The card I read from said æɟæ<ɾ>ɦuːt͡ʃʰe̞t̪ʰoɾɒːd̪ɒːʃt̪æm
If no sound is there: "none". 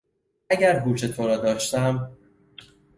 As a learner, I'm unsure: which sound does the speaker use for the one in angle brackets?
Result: ɾ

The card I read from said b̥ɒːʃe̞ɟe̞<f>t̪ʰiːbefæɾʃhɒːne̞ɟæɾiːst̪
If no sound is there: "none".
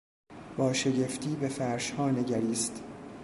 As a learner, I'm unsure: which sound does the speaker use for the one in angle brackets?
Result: f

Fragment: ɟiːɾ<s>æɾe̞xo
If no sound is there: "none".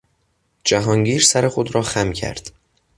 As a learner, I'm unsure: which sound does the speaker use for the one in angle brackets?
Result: s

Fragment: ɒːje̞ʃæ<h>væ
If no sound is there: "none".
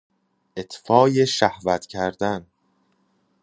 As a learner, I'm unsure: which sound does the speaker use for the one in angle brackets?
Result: h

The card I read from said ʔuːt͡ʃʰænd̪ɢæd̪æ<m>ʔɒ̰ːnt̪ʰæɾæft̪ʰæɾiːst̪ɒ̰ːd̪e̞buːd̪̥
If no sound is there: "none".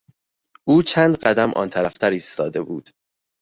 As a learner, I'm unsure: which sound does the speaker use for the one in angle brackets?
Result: m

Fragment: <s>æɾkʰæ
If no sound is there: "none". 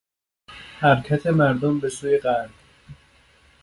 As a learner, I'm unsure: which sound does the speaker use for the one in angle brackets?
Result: h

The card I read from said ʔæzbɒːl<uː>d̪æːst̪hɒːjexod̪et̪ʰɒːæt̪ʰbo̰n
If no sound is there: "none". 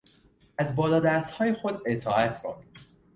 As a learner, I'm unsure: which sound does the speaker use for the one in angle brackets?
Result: ɒː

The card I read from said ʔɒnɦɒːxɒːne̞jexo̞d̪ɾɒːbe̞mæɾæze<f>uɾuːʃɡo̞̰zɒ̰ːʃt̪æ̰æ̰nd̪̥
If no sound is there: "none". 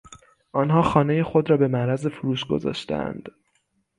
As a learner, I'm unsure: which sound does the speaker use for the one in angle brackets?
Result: f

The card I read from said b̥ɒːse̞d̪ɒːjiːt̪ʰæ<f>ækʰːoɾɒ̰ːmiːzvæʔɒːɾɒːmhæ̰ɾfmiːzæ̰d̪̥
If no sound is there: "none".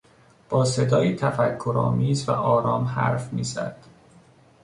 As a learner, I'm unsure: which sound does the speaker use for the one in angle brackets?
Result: f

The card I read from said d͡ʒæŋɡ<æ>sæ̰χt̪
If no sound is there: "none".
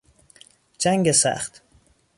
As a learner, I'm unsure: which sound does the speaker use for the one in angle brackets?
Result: e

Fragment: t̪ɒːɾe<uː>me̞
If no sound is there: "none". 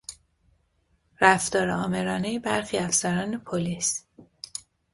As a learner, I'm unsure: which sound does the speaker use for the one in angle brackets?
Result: ɒː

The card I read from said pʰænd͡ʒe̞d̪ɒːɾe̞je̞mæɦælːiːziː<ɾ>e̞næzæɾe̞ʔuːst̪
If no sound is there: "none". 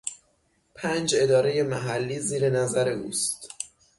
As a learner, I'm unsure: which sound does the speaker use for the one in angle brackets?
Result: ɾ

